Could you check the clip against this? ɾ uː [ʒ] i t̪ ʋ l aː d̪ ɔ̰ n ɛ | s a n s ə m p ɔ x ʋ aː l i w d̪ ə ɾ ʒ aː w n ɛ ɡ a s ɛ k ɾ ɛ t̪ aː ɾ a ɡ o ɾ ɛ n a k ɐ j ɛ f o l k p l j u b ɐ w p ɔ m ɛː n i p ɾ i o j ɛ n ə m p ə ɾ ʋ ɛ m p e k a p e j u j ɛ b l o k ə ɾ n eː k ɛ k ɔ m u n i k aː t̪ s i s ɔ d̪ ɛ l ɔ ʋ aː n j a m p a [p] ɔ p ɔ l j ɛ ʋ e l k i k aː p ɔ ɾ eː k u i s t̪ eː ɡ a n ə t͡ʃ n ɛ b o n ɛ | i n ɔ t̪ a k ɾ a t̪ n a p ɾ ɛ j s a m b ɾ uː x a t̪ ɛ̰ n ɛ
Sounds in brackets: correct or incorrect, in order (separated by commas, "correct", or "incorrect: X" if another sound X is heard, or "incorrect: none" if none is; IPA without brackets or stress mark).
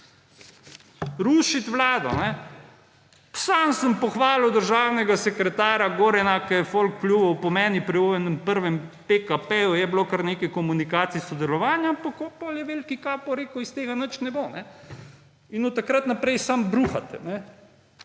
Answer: incorrect: ʃ, incorrect: k